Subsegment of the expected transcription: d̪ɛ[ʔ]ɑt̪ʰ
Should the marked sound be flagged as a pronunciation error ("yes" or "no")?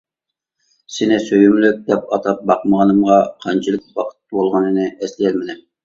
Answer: yes